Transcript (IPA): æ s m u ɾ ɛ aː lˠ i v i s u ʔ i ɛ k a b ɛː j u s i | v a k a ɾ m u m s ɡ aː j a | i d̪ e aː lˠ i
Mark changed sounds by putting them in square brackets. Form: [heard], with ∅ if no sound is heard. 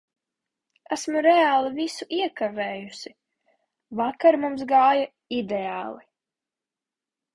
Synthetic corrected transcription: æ s m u ɾ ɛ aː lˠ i v i s u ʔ i ɛ k a [v] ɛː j u s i | v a k a ɾ m u m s ɡ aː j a | i d̪ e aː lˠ i